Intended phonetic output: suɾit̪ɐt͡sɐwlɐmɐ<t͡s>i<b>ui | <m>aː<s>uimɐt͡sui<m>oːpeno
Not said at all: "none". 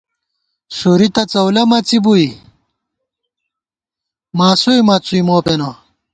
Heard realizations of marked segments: t͡s, b, m, s, m

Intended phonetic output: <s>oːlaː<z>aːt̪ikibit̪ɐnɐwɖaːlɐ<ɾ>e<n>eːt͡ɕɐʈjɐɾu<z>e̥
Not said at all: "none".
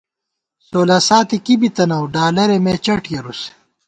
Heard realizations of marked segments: s, s, ɾ, m, s

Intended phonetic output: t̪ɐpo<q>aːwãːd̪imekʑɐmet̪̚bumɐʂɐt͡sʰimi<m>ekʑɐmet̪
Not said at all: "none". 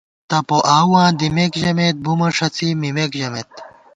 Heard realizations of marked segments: ʔ, m

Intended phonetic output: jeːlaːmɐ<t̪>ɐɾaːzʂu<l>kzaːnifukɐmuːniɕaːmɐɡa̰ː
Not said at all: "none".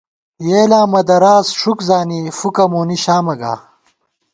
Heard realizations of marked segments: d̪, none

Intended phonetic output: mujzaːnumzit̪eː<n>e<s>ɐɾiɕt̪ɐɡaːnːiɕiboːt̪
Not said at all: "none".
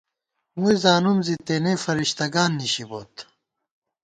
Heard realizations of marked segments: n, f

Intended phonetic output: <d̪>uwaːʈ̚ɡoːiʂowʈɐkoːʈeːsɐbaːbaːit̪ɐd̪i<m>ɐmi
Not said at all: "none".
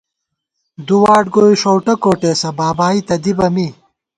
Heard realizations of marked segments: d̪, b

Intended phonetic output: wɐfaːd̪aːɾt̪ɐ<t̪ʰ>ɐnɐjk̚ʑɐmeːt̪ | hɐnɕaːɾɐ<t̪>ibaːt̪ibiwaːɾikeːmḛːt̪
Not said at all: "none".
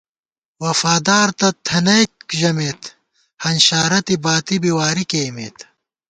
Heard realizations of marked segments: t̪ʰ, t̪

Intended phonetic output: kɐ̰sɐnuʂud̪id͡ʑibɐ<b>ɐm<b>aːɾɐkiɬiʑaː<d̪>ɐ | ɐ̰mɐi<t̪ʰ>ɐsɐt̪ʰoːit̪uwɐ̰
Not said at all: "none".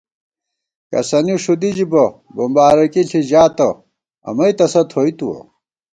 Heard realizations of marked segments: b, b, t̪, t̪

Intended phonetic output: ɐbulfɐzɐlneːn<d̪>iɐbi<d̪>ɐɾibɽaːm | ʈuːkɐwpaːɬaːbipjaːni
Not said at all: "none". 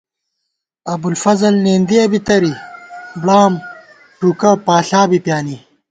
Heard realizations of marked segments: d̪, t̪

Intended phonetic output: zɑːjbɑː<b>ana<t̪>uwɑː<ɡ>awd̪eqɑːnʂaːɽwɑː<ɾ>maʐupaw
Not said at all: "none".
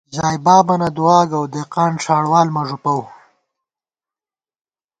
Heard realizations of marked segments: b, d̪, ɡ, l

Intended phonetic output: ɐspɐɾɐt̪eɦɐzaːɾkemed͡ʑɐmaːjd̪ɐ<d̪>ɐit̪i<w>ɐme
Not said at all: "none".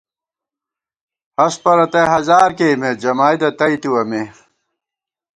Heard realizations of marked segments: t̪, w

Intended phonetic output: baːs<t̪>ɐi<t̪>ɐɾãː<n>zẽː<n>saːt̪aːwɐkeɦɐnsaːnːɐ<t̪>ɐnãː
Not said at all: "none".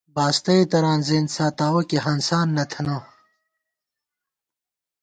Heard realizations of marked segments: t̪, t̪, n, n, t̪ʰ

